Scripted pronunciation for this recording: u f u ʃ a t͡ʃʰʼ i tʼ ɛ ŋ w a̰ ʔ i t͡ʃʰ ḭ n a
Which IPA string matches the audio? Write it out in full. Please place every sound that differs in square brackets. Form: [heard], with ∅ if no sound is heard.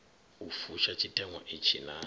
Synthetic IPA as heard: u f u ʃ a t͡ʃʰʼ i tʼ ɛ ŋ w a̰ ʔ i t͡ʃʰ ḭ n a